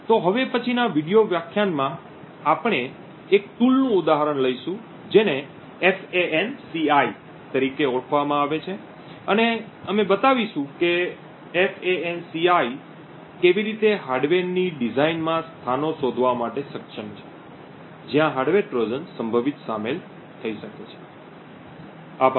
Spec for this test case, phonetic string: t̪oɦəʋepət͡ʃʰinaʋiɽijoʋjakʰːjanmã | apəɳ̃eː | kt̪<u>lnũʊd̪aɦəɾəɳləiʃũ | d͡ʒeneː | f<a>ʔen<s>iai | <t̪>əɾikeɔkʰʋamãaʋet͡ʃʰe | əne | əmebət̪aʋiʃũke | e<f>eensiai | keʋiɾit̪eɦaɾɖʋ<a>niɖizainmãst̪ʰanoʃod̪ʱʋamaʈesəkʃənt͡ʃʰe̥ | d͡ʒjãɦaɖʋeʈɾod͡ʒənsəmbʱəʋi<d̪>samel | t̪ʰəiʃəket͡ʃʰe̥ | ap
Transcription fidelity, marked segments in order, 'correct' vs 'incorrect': correct, incorrect, correct, correct, correct, incorrect, incorrect

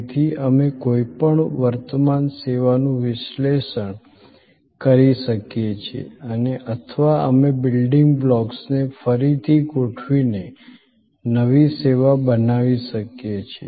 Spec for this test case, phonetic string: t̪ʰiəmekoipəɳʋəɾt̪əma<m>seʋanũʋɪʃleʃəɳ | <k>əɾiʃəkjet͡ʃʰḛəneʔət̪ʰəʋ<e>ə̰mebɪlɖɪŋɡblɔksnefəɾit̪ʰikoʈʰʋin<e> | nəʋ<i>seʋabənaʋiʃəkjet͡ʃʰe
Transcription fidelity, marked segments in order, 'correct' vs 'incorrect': incorrect, correct, incorrect, correct, correct

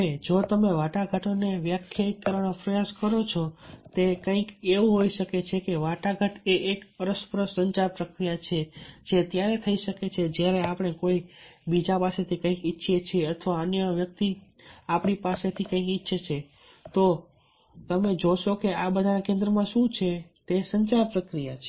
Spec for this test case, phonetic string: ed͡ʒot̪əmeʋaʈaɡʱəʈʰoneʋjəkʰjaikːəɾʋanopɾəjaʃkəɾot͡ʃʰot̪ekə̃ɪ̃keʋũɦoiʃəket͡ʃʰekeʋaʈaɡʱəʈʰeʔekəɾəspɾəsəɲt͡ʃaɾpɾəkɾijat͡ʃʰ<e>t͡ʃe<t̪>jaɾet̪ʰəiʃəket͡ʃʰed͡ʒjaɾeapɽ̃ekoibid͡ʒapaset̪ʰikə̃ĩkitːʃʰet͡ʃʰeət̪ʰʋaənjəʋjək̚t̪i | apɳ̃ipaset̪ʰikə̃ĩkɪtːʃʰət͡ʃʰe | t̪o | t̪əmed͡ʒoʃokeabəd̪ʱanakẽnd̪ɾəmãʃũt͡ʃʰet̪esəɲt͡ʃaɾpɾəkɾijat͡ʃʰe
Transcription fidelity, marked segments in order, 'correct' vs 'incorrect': correct, correct

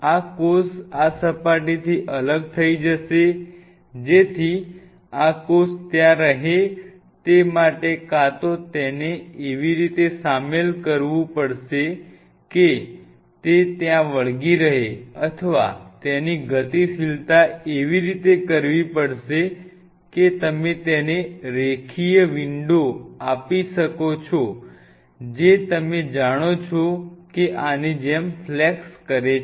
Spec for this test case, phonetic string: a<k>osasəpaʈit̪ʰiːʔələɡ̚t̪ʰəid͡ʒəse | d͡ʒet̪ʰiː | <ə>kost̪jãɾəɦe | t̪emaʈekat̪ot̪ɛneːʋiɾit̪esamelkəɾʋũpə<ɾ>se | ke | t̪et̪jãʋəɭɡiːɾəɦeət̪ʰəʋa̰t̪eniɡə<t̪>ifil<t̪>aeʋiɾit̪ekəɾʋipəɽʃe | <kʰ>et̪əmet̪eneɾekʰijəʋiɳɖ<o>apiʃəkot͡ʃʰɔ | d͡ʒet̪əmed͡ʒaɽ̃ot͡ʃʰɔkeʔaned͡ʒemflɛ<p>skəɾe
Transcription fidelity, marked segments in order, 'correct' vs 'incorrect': correct, incorrect, incorrect, correct, correct, incorrect, correct, incorrect

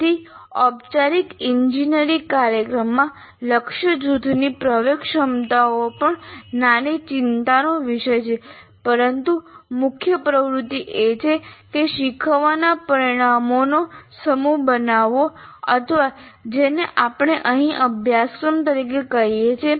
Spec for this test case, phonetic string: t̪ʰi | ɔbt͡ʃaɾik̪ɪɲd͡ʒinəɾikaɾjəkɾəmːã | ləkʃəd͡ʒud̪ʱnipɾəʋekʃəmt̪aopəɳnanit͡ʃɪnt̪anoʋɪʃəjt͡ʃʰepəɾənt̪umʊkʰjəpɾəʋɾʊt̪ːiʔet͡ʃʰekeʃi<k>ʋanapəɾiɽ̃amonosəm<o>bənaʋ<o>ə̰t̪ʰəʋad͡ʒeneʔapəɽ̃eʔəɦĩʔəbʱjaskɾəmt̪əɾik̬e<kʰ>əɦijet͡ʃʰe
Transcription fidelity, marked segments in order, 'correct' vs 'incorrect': incorrect, incorrect, correct, incorrect

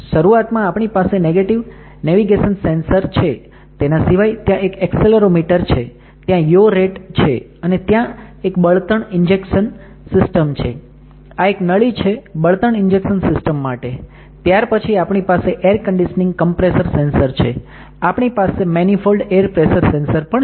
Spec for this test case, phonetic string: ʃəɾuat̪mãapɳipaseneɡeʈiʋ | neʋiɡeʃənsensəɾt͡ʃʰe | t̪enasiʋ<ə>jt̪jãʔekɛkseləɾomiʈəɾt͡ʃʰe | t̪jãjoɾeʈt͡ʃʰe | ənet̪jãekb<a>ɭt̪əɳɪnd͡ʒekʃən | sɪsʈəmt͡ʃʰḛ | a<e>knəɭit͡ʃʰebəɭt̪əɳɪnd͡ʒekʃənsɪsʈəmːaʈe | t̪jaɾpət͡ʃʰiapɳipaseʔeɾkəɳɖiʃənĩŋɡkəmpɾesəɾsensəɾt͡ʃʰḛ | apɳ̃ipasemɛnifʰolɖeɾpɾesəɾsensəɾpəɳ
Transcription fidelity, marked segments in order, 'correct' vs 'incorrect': incorrect, incorrect, correct

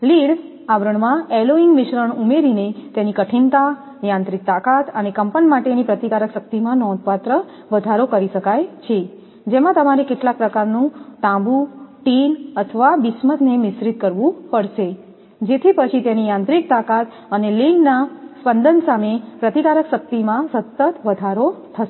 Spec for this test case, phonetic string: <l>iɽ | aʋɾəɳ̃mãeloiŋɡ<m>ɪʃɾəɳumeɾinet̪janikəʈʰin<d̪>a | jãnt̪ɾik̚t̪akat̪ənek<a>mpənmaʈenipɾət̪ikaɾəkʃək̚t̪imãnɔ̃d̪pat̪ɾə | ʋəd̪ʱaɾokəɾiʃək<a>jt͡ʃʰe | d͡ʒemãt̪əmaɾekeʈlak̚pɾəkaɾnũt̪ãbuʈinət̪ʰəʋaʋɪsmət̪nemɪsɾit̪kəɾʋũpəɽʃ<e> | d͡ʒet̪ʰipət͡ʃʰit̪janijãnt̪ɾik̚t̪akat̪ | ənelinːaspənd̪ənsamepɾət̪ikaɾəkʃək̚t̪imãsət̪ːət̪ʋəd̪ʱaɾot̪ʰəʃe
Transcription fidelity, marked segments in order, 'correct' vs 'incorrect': correct, correct, incorrect, incorrect, correct, correct

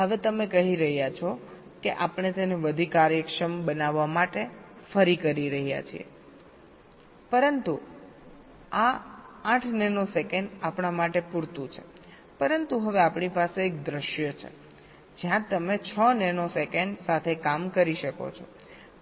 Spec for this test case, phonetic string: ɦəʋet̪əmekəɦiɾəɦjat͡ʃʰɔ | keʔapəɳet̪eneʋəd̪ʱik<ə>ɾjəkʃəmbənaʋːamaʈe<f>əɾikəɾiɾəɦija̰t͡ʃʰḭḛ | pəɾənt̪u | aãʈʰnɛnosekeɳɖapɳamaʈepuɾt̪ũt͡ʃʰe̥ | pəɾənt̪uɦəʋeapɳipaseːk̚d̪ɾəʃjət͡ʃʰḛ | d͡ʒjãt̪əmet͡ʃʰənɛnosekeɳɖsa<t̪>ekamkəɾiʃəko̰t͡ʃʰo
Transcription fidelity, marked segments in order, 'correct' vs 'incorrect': incorrect, correct, incorrect

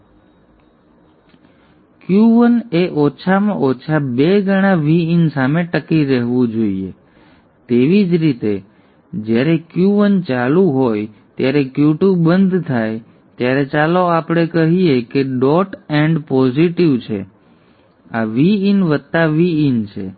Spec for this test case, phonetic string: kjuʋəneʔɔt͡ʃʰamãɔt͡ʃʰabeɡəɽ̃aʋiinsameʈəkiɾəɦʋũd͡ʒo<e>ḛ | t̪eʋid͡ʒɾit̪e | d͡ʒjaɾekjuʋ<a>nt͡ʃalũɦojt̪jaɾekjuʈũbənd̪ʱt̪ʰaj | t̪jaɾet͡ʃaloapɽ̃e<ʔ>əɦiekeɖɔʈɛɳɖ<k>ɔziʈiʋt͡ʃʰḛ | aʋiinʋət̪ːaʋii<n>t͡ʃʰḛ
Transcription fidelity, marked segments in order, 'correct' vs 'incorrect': incorrect, incorrect, incorrect, incorrect, correct

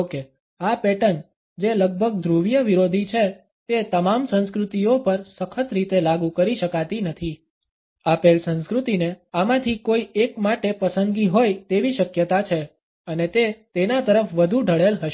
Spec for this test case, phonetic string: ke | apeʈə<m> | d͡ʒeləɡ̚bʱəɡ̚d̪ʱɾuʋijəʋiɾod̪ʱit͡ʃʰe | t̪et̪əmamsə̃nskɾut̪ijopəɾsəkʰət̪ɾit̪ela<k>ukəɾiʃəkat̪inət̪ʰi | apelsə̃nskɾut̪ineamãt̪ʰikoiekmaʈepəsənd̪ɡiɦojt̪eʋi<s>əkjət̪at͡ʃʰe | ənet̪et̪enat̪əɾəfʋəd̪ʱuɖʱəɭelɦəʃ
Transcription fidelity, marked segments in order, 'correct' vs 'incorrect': incorrect, incorrect, incorrect

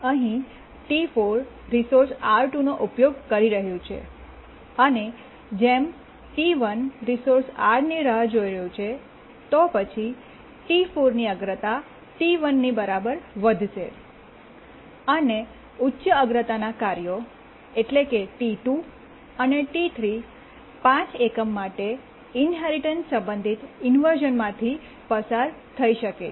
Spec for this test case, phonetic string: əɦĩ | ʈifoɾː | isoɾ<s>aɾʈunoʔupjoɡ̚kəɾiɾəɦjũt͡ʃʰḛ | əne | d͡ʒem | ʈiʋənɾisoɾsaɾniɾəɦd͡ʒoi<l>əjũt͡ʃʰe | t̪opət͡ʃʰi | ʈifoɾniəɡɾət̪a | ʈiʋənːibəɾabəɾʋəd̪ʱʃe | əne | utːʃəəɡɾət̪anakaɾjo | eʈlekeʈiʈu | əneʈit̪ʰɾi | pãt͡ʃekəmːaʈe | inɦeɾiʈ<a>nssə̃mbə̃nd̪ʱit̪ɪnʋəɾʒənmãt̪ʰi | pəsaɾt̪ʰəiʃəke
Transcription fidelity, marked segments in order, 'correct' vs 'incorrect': correct, incorrect, incorrect

